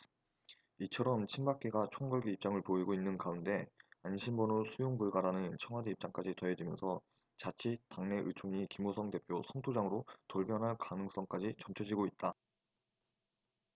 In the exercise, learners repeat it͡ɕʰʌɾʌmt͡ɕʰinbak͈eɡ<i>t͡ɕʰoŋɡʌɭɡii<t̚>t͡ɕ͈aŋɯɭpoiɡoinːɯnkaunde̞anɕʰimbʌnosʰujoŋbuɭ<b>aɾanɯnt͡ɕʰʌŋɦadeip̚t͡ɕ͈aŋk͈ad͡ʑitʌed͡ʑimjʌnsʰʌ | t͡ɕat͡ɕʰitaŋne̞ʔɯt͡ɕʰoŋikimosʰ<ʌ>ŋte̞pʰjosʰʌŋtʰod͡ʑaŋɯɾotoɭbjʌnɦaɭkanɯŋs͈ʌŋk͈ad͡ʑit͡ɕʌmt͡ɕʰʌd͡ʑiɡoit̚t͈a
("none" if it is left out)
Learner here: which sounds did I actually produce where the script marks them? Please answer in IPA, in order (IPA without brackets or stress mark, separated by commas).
a, p̚, ɡ, ʌ